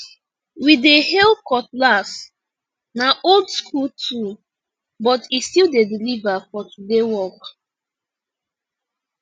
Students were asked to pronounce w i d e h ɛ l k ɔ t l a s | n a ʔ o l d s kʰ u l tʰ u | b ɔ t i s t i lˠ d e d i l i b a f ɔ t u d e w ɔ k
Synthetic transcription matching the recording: w i d e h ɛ l k ɔ t l a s | n a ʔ o l d s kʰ u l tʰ u | b ɔ t i s t i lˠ d e d i l i v a f ɔ t u d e w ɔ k